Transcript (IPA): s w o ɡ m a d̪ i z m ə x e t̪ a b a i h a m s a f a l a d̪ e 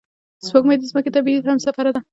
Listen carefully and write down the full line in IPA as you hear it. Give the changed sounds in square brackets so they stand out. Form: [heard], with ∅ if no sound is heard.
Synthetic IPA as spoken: s w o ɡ m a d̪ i z m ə [k] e t̪ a b [i] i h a m s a f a [ɾ] a d̪ [a]